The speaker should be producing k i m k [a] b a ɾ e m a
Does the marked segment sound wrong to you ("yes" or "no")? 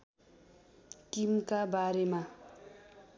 no